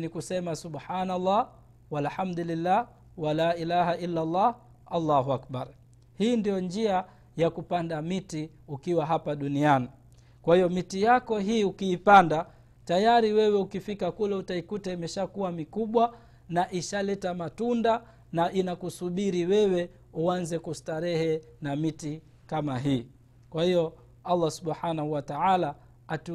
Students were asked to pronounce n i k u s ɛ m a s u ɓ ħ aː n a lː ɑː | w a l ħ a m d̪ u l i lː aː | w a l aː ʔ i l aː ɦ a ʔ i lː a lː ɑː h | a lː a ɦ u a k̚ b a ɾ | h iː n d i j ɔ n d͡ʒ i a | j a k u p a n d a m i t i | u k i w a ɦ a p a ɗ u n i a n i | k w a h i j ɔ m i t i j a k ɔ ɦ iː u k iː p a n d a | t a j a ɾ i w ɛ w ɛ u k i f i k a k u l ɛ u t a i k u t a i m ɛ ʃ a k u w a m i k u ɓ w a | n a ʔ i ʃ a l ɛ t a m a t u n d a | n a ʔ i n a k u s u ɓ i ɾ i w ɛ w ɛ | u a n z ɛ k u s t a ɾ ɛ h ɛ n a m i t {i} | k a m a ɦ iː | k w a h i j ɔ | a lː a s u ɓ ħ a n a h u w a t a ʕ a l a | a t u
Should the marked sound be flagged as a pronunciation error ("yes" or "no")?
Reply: no